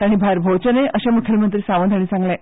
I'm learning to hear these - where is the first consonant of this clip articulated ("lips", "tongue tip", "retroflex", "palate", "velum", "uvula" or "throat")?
retroflex